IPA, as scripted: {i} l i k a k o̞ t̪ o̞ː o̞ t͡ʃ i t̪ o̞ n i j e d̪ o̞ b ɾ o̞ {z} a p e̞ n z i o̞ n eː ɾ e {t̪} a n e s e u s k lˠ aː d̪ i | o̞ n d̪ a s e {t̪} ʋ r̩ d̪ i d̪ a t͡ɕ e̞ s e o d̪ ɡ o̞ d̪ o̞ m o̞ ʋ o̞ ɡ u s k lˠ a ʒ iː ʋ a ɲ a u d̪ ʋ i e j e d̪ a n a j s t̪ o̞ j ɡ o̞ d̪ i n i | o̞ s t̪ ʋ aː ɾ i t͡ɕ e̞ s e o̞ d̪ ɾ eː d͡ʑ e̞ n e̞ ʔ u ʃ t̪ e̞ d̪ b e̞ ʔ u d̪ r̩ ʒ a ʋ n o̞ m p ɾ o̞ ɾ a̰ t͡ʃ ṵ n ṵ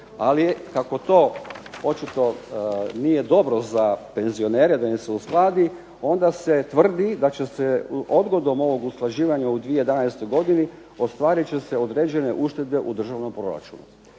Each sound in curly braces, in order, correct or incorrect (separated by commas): incorrect, correct, incorrect, correct